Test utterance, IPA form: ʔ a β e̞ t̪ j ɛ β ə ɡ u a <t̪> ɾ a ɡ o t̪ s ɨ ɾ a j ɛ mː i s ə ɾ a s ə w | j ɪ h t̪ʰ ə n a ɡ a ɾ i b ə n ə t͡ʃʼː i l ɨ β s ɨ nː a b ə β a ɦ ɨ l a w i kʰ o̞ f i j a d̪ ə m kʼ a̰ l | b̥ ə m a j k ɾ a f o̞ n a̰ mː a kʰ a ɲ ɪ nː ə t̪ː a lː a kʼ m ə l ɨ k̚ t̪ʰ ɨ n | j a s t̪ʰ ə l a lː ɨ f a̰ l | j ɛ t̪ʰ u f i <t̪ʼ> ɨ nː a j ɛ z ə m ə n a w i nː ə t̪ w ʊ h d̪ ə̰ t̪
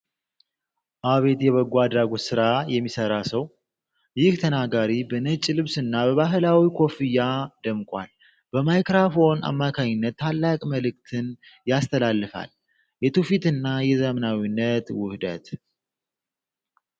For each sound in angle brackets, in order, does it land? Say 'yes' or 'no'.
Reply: no, no

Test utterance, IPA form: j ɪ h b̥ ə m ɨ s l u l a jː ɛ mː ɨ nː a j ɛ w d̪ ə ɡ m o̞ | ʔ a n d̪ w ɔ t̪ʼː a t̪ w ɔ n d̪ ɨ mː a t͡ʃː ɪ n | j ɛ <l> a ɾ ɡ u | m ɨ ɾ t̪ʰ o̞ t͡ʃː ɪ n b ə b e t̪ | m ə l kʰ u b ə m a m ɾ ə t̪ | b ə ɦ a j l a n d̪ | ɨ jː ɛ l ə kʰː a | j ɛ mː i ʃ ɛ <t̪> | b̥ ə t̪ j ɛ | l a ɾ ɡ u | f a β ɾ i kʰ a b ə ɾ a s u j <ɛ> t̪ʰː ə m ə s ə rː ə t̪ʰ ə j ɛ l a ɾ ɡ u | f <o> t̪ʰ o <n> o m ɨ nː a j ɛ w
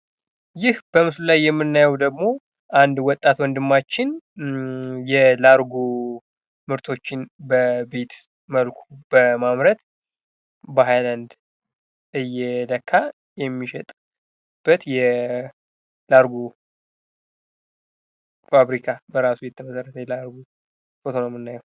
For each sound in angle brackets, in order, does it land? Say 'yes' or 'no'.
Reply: yes, no, yes, yes, yes

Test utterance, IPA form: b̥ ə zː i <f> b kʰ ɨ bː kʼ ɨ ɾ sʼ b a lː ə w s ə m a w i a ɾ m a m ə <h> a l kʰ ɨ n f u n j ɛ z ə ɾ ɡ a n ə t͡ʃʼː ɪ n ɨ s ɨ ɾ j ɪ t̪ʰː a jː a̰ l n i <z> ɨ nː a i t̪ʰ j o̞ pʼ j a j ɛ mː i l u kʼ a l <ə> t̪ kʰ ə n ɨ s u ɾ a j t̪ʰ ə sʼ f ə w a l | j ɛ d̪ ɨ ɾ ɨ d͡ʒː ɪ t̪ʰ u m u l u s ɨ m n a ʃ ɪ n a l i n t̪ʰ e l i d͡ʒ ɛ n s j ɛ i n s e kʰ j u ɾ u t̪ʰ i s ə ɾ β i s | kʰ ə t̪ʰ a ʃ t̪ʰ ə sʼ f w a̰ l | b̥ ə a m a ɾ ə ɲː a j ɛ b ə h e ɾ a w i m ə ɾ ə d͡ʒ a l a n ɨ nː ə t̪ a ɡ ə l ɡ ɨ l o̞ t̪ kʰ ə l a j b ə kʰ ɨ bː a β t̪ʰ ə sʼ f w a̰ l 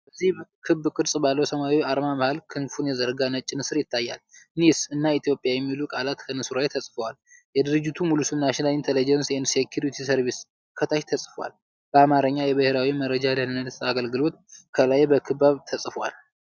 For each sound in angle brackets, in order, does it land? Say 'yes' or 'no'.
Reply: no, yes, no, no

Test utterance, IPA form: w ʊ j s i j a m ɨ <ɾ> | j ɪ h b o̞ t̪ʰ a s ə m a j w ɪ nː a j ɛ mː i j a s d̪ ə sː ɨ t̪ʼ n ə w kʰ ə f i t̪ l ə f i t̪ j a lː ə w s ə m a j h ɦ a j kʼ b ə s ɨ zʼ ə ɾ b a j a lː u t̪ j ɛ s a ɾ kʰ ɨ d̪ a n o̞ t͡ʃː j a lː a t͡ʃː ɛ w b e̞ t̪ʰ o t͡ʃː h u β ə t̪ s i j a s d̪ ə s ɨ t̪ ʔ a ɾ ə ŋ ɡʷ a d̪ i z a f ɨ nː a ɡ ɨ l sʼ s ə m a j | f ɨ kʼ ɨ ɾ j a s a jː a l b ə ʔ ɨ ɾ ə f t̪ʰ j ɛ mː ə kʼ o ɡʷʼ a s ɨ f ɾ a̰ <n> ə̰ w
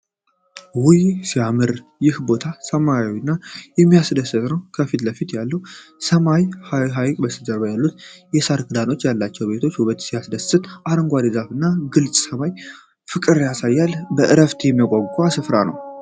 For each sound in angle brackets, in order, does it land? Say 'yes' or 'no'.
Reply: yes, yes

